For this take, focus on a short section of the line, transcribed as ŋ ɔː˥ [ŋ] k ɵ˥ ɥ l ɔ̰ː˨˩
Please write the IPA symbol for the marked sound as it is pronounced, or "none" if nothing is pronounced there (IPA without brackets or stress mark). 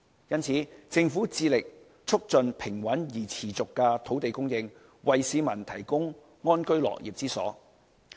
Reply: n